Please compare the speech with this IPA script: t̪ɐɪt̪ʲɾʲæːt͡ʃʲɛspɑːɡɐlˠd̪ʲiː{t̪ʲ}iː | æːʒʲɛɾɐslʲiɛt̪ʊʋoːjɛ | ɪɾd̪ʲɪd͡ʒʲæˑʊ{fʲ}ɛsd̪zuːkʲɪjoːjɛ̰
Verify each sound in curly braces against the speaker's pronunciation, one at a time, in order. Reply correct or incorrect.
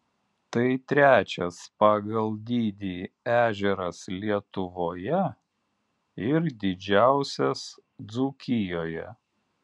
incorrect, incorrect

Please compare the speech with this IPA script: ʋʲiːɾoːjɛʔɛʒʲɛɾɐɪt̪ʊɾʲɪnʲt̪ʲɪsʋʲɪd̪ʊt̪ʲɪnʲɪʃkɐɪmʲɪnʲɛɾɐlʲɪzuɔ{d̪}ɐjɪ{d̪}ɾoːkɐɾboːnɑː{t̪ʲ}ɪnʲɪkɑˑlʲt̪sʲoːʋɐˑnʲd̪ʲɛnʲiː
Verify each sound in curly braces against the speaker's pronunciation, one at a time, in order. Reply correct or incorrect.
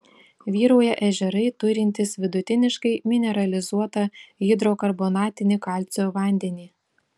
incorrect, correct, correct

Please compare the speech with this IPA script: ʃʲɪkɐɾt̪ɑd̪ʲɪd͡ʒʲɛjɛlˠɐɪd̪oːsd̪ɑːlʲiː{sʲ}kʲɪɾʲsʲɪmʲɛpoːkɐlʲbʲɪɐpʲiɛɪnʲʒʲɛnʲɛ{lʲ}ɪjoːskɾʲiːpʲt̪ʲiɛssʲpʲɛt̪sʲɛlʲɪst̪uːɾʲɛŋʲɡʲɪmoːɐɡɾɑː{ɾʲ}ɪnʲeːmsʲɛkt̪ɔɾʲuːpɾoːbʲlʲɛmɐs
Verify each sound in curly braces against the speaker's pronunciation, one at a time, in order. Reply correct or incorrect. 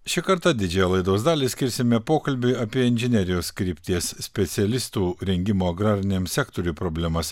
correct, incorrect, correct

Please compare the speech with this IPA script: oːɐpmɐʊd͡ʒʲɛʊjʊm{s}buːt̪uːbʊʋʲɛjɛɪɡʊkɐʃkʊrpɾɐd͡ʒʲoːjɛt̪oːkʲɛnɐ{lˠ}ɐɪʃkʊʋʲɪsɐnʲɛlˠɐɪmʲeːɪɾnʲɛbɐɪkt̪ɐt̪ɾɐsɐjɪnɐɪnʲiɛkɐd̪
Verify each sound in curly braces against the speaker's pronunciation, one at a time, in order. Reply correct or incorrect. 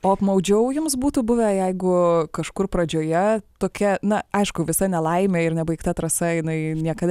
correct, incorrect

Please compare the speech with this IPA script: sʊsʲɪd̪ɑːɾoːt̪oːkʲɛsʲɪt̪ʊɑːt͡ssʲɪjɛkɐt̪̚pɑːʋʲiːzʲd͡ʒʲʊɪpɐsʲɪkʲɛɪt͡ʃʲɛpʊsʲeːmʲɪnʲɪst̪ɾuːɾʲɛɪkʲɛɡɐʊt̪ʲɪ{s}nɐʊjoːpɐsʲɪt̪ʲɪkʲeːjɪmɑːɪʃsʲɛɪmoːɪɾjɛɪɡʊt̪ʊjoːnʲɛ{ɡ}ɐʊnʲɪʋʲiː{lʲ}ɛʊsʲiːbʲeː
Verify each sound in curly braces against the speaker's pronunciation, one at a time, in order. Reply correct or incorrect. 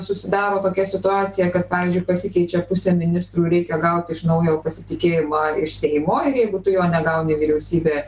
incorrect, correct, incorrect

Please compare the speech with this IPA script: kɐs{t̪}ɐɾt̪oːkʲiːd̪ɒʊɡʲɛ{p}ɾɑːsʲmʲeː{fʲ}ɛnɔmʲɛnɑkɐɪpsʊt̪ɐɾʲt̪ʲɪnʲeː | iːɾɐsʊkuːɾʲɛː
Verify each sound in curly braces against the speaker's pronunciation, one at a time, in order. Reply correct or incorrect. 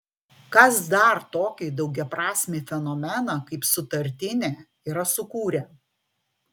incorrect, correct, correct

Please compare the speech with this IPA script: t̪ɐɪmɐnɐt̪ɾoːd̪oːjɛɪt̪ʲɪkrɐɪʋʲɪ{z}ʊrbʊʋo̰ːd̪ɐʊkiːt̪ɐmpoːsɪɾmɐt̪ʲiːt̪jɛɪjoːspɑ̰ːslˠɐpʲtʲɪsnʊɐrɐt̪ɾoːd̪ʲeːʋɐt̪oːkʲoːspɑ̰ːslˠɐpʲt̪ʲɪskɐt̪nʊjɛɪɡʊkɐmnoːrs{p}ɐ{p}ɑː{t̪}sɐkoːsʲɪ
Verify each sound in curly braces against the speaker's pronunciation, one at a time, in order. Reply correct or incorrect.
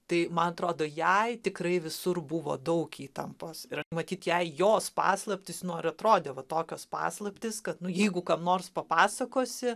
incorrect, correct, correct, incorrect

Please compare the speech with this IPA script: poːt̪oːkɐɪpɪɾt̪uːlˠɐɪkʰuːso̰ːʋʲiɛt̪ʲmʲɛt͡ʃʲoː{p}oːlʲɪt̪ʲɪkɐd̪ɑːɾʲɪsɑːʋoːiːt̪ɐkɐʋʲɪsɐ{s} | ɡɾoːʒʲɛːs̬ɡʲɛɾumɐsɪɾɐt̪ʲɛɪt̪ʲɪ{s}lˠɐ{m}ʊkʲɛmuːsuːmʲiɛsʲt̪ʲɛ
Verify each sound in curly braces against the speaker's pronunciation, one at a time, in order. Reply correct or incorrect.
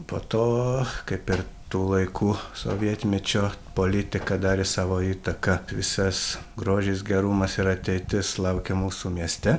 correct, correct, correct, incorrect

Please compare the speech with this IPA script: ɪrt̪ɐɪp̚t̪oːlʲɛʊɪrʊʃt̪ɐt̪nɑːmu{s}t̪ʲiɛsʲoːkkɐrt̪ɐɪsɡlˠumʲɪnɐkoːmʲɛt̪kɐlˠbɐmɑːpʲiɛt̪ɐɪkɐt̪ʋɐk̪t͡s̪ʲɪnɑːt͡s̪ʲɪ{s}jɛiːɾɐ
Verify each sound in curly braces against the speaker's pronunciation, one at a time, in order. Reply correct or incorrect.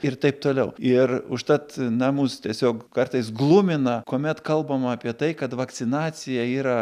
correct, incorrect

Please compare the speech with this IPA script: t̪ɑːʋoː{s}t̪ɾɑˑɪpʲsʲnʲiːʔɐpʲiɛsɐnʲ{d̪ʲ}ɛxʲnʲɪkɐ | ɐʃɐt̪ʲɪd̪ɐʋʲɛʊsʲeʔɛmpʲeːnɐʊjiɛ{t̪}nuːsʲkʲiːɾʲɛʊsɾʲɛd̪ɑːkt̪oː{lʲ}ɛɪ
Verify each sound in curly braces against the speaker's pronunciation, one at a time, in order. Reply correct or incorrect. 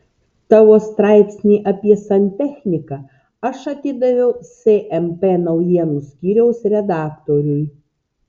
correct, incorrect, incorrect, incorrect

